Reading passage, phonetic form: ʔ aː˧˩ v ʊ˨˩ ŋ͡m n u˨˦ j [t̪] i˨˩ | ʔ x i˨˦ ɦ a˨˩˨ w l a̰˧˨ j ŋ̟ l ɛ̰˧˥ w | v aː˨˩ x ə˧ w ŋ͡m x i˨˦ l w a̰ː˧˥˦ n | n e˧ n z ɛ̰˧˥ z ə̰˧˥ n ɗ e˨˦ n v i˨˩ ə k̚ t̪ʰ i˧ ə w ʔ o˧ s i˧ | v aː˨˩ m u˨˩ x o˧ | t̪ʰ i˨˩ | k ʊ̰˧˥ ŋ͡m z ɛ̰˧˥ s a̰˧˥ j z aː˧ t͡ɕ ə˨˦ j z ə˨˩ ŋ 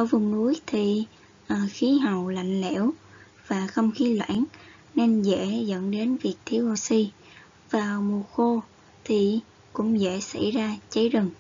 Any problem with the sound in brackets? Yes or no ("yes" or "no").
yes